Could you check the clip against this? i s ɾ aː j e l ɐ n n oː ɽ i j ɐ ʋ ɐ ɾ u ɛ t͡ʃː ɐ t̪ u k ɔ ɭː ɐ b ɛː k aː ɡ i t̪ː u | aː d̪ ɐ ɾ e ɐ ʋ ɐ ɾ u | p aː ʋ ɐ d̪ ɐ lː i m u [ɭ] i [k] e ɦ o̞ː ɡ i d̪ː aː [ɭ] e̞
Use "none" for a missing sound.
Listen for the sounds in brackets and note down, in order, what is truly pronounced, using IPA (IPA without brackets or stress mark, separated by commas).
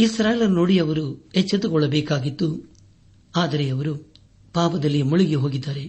ɭ, ɡ, ɾ